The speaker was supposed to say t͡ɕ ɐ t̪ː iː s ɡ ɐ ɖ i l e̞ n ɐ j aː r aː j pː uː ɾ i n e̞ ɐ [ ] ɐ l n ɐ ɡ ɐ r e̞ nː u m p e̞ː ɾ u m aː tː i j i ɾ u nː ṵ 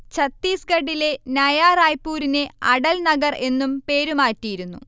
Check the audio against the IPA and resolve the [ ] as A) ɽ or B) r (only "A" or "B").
A